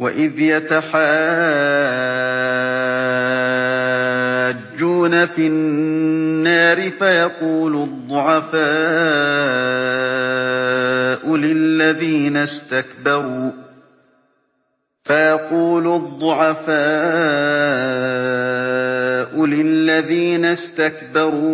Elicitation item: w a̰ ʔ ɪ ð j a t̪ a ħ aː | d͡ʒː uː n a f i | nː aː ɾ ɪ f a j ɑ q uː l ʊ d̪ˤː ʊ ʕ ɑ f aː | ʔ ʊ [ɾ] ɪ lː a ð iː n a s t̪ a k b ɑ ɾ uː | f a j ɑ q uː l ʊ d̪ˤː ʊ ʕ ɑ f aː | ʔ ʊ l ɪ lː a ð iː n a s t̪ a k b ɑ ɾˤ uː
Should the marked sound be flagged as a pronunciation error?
yes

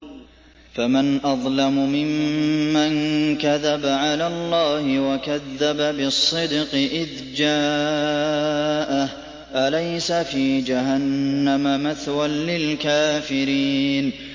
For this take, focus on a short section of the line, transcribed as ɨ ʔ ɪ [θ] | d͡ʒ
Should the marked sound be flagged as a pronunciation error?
yes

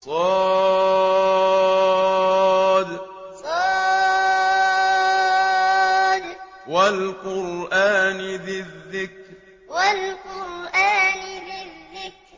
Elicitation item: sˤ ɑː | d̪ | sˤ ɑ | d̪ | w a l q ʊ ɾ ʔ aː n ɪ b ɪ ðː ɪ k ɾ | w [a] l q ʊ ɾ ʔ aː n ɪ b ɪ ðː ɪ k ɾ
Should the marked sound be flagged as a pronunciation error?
no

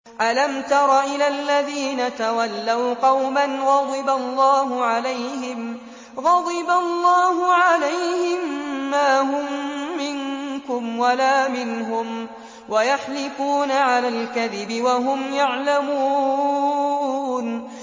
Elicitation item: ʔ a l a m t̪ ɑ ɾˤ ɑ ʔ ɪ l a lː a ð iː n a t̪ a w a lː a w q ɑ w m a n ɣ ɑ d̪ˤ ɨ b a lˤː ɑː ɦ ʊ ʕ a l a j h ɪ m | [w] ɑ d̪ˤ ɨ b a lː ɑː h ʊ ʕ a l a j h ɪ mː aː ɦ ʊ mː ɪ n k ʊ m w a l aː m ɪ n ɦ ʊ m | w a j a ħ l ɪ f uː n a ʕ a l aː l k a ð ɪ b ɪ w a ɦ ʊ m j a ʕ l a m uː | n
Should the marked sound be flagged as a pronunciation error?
yes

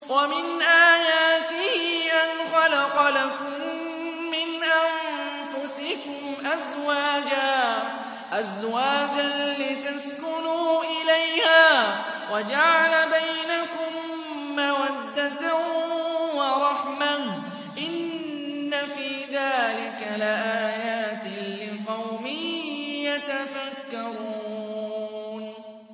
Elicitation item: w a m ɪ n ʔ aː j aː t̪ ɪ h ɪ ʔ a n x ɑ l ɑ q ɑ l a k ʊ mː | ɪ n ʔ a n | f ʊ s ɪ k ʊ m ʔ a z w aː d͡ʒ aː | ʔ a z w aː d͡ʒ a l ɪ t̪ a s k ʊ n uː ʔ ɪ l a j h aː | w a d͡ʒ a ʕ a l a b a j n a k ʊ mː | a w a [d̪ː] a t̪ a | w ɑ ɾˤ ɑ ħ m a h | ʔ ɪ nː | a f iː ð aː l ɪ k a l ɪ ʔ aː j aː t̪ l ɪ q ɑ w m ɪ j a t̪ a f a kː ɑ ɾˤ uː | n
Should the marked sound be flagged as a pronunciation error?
no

